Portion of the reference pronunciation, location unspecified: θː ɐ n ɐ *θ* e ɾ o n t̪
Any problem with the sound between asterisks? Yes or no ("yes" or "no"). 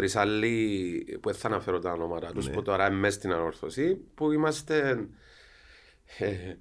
yes